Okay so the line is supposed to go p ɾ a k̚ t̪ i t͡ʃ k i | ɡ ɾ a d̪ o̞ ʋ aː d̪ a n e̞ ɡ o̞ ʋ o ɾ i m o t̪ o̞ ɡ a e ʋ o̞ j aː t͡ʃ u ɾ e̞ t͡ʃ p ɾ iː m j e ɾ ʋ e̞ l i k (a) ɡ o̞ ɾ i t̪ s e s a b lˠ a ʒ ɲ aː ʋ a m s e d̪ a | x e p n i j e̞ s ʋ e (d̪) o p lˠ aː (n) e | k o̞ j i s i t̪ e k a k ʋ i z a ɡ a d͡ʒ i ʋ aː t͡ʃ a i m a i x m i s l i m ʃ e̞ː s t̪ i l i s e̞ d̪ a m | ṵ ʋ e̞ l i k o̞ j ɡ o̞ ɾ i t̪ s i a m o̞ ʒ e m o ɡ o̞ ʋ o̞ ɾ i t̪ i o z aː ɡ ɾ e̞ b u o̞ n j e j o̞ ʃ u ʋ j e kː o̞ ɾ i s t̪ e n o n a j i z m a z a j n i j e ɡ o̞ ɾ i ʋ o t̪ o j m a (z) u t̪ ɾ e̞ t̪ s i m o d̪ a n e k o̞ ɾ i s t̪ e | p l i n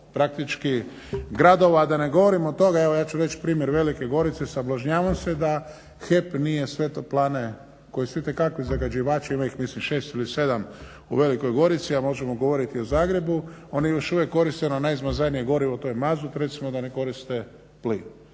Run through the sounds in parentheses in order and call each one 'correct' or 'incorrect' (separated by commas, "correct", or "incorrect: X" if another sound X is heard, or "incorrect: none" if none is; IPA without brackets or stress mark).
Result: incorrect: e, incorrect: t̪, correct, correct